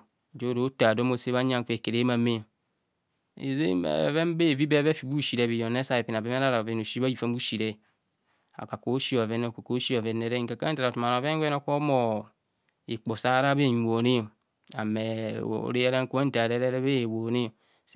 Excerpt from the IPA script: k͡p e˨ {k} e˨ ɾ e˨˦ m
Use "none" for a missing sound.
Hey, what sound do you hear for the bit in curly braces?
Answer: k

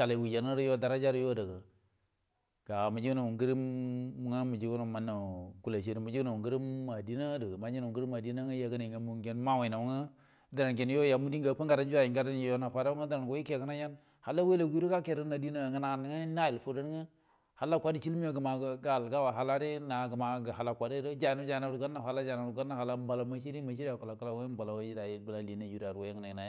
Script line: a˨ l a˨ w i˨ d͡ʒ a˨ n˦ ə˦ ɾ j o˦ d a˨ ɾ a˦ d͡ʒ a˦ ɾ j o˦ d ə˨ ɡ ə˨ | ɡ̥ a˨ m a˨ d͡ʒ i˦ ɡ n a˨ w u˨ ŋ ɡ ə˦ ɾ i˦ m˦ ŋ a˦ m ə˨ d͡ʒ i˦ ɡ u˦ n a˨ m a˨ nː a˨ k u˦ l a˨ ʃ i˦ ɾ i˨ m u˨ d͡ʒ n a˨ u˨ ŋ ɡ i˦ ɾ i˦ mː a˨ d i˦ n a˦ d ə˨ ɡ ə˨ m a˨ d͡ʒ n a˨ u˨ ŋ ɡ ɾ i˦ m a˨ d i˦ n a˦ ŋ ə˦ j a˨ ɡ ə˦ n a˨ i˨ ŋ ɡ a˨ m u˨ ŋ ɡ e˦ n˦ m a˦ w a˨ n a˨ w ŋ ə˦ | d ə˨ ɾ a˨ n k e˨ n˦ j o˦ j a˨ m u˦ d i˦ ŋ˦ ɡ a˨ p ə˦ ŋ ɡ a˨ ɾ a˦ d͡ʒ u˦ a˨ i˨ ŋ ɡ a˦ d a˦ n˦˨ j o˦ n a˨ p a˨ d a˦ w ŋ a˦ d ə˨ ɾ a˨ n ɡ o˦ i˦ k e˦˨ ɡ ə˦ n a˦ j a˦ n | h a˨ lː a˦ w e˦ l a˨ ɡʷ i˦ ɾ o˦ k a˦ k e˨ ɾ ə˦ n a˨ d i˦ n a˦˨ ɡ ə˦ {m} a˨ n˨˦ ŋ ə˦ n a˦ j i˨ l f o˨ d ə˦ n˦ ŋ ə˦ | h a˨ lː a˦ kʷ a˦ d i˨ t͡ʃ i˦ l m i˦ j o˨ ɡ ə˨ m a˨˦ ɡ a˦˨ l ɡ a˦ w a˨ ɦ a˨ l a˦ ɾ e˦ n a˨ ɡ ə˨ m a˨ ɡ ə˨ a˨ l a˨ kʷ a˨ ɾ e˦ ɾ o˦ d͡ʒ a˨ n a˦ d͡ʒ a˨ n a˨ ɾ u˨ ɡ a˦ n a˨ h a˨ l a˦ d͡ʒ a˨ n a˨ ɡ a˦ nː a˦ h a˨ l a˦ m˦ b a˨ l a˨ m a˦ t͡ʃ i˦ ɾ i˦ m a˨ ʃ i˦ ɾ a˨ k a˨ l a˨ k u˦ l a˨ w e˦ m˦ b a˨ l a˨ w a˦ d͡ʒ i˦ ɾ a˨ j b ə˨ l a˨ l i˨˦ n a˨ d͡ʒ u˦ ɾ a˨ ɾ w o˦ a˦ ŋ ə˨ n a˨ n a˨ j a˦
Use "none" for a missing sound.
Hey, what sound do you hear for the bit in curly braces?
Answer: n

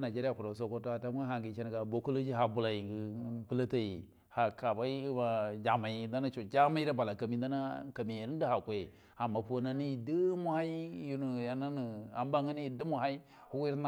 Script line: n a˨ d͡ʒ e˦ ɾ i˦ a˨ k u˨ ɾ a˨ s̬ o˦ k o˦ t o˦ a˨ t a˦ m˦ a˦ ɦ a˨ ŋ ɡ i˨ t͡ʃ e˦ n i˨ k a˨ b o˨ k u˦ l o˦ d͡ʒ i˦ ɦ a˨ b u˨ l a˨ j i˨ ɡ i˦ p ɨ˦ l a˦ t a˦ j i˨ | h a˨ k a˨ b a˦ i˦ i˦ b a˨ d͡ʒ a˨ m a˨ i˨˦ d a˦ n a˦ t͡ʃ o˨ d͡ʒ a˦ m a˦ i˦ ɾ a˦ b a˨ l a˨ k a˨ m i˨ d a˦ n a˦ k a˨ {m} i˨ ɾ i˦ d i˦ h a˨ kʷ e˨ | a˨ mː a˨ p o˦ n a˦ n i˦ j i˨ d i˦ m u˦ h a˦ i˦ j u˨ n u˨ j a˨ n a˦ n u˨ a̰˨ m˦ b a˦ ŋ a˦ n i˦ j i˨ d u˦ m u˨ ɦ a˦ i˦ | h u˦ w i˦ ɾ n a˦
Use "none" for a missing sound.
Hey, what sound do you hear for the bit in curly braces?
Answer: m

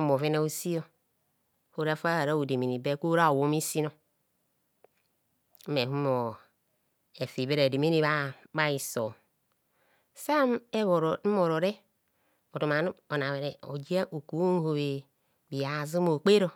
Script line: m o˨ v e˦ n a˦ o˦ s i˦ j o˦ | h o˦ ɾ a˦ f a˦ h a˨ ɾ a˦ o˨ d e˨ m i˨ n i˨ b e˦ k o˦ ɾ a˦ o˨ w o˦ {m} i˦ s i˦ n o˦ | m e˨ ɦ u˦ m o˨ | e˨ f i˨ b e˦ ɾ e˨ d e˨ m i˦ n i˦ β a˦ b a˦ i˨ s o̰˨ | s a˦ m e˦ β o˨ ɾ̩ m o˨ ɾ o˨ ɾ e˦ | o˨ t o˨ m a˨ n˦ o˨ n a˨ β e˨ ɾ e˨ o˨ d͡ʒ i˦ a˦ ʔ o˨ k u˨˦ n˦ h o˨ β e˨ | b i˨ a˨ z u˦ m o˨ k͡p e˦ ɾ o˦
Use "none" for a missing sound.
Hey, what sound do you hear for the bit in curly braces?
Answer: m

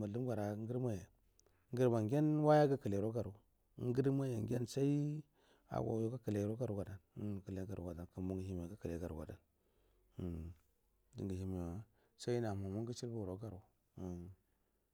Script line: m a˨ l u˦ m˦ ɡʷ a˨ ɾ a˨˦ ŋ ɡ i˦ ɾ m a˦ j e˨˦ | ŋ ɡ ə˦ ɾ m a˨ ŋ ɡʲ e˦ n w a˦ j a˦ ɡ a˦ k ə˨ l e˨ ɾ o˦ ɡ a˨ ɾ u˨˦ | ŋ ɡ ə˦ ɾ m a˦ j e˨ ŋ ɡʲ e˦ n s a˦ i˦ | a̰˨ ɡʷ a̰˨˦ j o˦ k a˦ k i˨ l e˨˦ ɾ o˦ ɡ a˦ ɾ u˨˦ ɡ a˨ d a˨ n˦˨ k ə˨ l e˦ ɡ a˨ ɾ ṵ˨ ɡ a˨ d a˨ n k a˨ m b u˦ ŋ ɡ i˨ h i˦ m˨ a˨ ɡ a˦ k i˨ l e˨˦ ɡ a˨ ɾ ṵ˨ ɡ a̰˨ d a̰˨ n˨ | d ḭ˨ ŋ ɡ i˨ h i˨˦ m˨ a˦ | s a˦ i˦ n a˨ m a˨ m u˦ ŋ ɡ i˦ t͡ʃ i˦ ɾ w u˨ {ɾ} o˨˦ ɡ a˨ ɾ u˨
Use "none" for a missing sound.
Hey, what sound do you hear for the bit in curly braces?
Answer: ɾ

